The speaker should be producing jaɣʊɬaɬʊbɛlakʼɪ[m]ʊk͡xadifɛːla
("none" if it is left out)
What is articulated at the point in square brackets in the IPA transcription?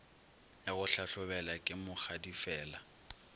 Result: m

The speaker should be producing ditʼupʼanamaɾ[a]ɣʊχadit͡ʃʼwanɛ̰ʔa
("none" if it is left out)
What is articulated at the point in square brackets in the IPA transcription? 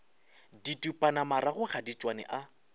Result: a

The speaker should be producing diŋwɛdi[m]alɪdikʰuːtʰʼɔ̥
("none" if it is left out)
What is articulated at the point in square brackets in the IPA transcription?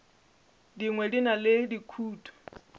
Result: n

